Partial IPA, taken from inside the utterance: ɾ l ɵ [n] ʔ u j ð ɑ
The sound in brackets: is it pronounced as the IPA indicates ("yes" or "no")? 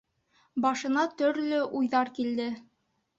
no